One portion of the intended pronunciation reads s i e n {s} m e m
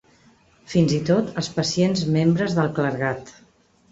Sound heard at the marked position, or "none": z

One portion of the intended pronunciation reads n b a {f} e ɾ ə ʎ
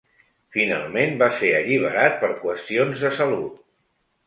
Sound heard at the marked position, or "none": s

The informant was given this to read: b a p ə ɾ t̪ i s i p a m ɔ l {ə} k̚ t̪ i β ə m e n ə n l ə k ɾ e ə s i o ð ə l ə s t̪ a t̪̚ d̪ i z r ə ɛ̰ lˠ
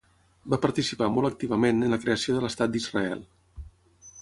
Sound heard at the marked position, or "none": ə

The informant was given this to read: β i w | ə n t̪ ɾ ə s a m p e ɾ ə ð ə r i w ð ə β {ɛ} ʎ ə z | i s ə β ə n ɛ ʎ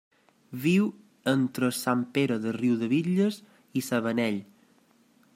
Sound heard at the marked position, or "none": i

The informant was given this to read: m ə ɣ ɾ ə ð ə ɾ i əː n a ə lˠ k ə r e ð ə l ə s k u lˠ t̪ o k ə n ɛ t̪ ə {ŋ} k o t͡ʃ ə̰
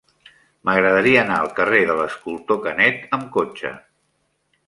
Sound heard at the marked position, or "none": m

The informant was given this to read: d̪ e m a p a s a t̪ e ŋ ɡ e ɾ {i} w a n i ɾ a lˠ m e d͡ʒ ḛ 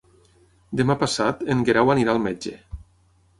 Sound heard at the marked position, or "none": a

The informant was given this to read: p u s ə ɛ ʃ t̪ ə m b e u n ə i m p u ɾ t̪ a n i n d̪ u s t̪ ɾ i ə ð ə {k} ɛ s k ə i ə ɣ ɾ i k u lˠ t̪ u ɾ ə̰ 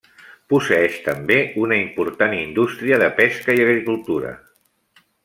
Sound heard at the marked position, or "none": p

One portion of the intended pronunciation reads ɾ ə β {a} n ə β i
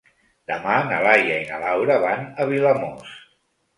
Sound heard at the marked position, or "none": a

